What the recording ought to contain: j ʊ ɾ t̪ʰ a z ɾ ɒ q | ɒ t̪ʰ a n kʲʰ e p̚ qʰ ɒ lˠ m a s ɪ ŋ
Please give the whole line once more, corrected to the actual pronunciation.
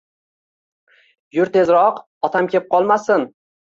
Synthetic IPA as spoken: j ʊ ɾ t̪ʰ e z ɾ ɒ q | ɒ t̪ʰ a m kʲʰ e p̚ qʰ ɒ lˠ m a s ɪ n